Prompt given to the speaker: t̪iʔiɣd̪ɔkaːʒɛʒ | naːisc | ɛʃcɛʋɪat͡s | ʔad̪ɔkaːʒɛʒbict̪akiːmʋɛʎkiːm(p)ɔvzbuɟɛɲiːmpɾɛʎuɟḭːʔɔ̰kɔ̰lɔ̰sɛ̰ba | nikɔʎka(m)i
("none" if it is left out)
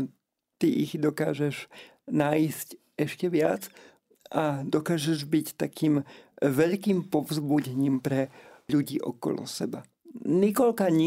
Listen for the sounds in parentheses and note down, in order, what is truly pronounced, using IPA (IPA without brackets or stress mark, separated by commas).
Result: p, ɲ